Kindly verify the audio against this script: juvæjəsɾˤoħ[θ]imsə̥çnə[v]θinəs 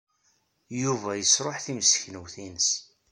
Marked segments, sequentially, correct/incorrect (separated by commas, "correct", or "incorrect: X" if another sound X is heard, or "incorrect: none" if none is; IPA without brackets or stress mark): correct, incorrect: w